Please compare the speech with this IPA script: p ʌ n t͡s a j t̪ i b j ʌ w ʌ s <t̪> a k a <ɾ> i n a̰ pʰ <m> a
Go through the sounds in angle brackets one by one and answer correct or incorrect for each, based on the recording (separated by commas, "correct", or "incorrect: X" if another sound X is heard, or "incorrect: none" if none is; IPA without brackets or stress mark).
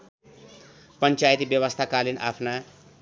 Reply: incorrect: t̪ʰ, incorrect: l, incorrect: n